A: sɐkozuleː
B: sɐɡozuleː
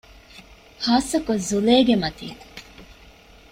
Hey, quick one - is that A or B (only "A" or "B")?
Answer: A